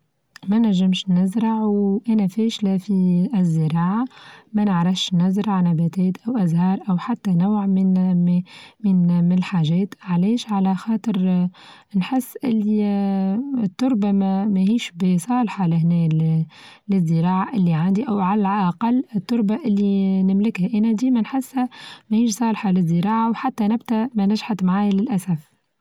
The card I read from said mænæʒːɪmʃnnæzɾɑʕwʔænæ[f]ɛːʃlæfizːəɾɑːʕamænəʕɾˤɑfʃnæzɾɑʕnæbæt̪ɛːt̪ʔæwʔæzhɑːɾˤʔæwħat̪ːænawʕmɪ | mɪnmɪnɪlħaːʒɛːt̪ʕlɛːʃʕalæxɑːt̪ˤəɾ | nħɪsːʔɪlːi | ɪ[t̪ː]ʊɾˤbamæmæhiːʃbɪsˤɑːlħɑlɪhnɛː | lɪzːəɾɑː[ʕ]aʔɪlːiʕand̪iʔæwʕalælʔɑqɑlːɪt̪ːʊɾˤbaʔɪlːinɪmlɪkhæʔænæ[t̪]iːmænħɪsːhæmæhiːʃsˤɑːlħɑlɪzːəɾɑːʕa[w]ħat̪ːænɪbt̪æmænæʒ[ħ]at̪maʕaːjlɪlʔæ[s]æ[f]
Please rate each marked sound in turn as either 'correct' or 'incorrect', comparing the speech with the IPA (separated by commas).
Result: correct, correct, correct, incorrect, correct, correct, correct, correct